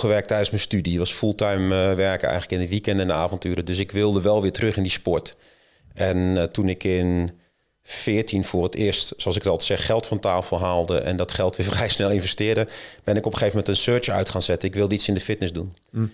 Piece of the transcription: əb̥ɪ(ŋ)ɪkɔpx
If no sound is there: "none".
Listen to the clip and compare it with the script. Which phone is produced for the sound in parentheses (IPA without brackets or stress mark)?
n